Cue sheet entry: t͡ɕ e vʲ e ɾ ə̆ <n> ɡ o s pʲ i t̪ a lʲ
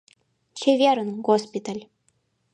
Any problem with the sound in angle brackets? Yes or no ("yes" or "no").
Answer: no